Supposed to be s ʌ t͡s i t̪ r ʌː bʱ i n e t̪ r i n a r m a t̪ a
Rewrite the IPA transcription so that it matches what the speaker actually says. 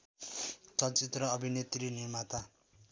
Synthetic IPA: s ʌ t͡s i t̪ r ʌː bʱ i n e t̪ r i n i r m a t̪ a